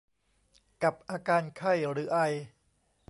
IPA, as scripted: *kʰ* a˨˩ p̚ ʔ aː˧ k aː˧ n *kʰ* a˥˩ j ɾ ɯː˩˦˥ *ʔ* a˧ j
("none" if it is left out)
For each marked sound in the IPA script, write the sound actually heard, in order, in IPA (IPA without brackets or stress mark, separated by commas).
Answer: k, kʰ, ʔ